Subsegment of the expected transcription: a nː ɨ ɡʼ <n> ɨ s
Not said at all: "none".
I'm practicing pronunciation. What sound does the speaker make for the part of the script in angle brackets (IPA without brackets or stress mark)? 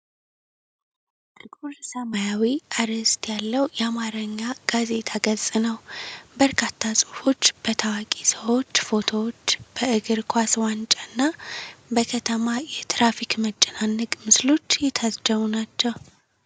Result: m